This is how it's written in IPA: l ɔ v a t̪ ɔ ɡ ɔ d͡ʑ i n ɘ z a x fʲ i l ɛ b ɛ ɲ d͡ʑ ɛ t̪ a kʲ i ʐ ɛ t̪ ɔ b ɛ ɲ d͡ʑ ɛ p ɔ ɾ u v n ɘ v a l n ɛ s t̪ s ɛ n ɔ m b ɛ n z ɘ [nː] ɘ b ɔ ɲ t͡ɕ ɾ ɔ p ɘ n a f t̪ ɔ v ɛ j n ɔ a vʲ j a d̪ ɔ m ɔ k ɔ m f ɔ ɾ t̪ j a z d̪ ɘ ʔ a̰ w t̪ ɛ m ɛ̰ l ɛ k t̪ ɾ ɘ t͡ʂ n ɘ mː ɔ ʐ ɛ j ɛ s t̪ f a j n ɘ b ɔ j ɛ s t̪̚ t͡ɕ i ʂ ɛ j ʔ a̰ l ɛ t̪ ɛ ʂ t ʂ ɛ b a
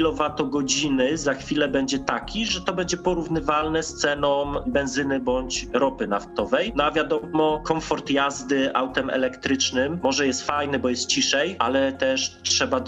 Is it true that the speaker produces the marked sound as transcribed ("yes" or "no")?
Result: no